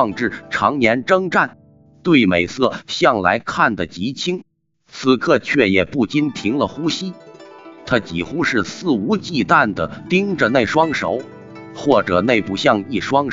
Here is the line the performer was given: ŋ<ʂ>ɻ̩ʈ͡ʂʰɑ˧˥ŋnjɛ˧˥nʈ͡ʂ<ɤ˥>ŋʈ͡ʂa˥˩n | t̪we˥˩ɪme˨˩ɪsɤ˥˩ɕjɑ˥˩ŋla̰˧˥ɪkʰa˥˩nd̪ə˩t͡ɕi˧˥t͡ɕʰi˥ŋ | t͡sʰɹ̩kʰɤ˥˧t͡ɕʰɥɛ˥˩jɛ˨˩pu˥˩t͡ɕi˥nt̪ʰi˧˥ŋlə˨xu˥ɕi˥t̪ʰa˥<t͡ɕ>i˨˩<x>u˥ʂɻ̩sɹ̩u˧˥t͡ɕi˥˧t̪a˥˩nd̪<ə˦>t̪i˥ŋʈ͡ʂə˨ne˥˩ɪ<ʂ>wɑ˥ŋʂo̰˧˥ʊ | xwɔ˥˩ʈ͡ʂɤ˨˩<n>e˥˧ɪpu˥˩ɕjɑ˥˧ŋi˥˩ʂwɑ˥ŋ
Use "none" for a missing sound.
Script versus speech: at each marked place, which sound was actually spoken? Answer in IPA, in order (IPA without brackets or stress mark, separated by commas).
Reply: ʈ͡ʂ, ɤ˥, t͡ɕ, x, ə˩, ʂ, n